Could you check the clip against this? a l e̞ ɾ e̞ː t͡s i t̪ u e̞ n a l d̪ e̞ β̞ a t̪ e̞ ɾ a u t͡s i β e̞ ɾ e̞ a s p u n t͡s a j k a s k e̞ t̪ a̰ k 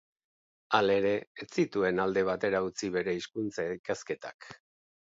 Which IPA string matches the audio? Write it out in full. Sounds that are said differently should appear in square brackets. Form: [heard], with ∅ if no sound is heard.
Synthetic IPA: a l e̞ ɾ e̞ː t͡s i t̪ u e̞ n a l d̪ e̞ β̞ a t̪ e̞ ɾ a u t͡s i β e̞ ɾ e̞ [i] s [k] u n t͡s a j k a s k e̞ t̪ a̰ k